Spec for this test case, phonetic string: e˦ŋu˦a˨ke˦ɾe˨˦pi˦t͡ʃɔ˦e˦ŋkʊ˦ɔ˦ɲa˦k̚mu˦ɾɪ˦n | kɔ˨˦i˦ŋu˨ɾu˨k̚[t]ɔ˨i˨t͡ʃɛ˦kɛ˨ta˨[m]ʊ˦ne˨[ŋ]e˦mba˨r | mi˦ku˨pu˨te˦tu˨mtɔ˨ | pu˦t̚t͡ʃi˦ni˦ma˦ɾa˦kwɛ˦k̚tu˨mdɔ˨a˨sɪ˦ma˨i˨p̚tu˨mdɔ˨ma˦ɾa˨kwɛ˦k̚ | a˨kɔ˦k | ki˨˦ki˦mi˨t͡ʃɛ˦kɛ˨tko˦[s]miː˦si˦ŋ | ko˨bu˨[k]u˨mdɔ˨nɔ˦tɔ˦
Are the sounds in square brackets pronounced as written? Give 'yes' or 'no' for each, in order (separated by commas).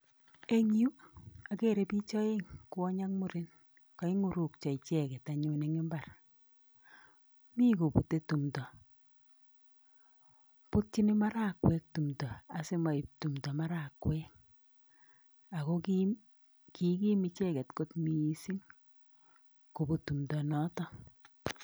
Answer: no, no, yes, no, no